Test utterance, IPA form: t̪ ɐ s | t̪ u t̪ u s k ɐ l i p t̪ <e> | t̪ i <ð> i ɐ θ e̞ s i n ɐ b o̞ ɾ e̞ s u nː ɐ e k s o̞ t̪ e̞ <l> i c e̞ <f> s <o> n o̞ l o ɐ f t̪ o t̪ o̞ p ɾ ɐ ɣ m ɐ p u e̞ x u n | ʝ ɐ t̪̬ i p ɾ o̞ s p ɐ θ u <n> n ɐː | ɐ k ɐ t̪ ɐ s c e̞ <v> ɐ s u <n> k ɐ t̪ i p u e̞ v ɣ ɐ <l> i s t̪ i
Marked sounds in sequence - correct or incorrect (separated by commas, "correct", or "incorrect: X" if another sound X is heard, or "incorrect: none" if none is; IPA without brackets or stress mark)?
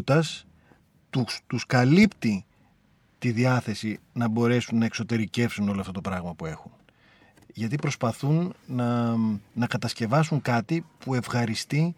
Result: incorrect: i, correct, incorrect: ɾ, correct, incorrect: u, correct, correct, incorrect: ŋ, incorrect: ɾ